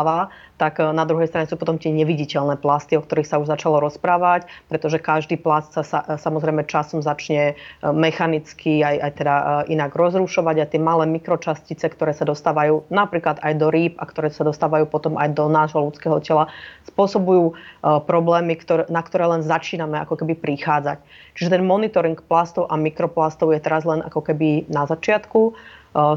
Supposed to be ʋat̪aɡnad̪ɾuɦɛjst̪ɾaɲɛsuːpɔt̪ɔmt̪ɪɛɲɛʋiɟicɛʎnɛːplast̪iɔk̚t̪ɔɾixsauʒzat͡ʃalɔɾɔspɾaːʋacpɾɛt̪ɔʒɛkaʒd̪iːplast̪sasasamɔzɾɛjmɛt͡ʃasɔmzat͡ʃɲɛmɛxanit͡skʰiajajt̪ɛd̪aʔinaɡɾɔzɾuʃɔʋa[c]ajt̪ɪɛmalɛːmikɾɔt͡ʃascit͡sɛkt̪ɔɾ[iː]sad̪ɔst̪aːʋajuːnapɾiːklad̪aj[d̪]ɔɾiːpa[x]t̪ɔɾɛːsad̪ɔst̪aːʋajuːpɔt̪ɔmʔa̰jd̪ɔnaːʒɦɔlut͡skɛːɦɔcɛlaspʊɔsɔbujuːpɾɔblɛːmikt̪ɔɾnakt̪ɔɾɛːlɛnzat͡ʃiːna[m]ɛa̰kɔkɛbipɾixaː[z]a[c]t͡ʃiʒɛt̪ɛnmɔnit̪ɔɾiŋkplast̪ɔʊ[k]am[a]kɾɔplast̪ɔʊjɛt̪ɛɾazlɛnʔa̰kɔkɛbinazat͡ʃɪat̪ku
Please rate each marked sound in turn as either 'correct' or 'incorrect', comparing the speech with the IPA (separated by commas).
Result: incorrect, incorrect, correct, incorrect, correct, incorrect, correct, incorrect, incorrect